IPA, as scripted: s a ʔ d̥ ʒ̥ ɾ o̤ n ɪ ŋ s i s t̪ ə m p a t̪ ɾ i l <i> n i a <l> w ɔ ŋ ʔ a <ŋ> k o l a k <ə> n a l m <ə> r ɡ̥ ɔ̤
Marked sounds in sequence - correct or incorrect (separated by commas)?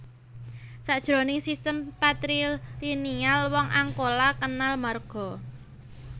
correct, correct, correct, correct, incorrect